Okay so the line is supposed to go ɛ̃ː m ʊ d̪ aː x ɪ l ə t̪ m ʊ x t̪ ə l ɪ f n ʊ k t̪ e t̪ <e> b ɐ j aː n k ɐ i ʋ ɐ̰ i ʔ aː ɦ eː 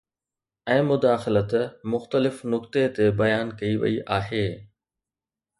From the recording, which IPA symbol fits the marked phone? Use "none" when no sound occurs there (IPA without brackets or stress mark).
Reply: e